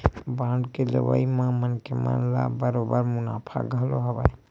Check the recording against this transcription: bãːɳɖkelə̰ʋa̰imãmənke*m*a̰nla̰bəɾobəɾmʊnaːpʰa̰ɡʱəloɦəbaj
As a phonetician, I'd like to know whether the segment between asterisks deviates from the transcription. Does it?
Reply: no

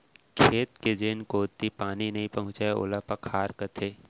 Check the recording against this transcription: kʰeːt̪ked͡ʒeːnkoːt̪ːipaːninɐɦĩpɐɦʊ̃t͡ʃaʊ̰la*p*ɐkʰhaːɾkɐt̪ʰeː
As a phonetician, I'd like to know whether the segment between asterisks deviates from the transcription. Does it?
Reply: no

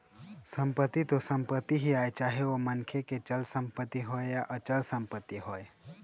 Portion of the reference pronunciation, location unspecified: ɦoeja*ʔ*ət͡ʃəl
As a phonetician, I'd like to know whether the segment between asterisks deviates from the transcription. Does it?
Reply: no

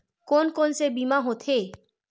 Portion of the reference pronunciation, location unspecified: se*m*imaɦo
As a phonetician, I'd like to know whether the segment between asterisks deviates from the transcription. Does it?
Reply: yes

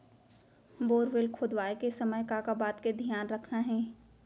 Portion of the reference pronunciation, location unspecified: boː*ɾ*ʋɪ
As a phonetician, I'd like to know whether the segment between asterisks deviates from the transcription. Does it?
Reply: no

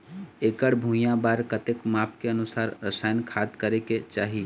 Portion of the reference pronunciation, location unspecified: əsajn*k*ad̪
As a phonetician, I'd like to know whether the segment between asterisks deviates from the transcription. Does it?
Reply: yes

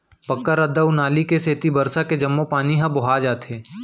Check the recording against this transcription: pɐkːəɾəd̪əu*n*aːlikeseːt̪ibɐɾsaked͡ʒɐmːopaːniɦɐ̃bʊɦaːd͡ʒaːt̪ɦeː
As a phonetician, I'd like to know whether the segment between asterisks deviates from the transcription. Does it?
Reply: no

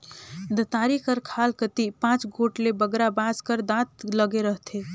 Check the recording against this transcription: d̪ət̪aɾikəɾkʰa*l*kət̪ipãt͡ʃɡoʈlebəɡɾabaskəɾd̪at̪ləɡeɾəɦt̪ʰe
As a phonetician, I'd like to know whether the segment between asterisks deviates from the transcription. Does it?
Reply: no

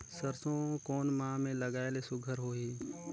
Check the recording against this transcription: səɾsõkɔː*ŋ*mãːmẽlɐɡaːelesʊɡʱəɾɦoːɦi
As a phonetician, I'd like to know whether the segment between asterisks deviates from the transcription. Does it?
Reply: yes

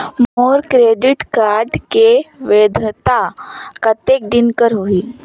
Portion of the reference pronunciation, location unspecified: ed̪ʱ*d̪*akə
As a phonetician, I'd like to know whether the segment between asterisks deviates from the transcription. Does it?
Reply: yes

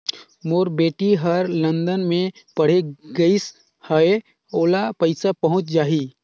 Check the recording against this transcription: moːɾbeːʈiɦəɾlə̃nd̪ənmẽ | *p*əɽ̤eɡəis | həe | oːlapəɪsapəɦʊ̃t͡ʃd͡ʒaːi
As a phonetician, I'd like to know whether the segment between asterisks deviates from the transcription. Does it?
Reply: no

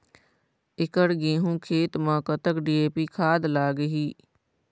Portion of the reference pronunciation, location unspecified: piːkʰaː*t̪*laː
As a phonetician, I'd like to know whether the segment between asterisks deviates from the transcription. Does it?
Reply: yes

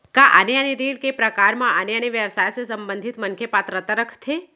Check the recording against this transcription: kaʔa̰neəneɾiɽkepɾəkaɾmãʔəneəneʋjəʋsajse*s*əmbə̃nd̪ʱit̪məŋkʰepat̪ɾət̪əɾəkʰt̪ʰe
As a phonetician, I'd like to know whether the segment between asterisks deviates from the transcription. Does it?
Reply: no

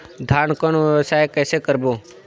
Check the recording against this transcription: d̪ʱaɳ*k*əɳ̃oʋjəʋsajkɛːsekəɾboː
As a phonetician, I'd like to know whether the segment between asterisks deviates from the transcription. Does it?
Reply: no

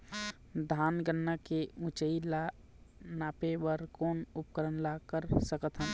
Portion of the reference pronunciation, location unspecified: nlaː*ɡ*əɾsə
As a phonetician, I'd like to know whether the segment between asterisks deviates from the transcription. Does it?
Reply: yes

